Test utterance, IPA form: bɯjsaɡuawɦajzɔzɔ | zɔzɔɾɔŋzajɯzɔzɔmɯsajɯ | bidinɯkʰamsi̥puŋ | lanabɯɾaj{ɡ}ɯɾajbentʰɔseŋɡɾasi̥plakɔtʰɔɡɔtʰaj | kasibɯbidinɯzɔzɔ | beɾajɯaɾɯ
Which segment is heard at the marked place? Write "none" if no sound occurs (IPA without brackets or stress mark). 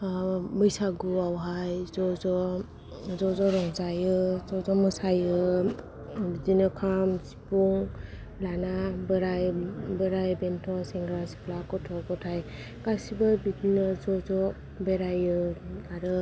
b